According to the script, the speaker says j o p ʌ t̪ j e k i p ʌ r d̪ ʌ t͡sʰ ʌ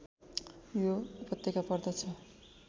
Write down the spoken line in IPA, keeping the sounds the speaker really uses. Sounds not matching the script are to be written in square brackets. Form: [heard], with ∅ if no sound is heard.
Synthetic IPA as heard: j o p ʌ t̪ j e k [a] p ʌ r d̪ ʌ t͡sʰ ʌ